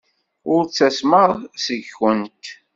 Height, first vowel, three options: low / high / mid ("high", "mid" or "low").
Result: high